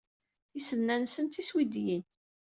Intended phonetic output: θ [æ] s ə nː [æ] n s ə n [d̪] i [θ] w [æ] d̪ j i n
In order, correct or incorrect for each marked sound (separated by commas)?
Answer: incorrect, correct, incorrect, incorrect, incorrect